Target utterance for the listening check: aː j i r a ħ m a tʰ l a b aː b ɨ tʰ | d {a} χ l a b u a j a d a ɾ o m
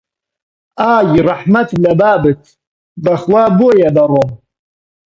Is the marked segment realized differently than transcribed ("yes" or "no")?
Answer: no